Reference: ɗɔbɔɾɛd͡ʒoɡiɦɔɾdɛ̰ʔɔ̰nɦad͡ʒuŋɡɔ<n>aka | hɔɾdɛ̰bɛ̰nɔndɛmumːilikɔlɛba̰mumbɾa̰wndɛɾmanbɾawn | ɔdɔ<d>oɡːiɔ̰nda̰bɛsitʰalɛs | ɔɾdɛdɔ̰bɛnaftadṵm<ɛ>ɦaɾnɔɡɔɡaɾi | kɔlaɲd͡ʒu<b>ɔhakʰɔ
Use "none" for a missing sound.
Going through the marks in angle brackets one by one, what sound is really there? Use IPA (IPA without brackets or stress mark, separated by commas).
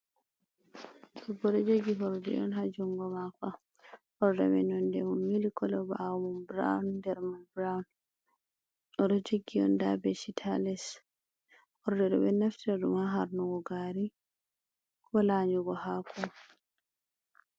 m, d͡ʒ, a, ɡ